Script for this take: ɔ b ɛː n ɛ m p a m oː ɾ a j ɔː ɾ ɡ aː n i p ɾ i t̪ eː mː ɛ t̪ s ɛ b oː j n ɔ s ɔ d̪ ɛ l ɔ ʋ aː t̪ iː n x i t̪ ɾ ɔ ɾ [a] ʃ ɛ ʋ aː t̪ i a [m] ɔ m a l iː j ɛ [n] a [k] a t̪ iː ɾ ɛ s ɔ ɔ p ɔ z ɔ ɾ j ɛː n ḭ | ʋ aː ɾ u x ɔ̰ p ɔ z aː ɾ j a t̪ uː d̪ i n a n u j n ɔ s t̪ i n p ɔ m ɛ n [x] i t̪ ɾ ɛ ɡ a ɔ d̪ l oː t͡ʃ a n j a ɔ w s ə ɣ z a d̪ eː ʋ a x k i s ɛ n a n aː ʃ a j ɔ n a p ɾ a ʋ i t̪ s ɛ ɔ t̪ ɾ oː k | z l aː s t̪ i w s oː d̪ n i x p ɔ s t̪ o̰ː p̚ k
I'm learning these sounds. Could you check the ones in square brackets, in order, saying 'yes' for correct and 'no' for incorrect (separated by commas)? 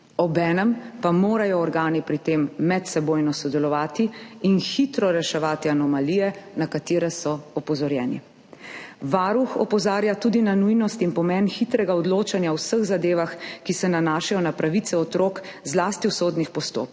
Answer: no, no, yes, yes, yes